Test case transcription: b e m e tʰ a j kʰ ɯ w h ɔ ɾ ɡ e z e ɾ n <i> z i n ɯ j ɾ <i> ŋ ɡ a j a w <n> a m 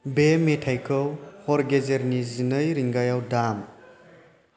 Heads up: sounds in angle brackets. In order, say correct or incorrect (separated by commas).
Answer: correct, correct, incorrect